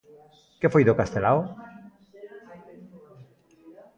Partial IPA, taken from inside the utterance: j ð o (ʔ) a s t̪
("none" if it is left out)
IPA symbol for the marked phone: k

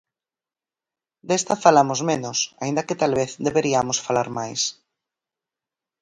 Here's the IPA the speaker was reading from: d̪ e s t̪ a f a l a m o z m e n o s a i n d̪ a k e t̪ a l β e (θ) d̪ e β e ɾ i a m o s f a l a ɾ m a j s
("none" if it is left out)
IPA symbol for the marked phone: θ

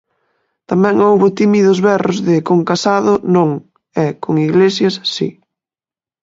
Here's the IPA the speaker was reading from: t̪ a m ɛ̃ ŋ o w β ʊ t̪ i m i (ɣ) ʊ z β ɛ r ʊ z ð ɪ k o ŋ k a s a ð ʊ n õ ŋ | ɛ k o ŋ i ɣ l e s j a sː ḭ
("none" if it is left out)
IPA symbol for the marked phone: ð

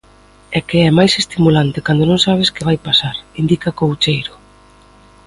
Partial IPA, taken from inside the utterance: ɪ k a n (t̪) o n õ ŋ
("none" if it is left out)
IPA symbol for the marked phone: d̪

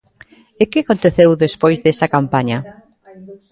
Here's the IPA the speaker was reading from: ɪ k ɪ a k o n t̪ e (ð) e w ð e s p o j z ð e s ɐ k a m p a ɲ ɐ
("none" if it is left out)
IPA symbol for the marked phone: θ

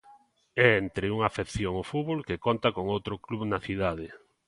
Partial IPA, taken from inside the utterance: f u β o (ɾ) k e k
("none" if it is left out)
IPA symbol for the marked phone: l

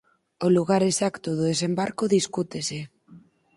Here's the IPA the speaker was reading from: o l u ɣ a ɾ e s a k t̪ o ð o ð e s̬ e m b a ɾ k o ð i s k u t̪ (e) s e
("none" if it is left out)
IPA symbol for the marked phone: e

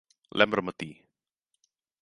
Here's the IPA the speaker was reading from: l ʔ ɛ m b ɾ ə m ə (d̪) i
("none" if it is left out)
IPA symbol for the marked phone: t̪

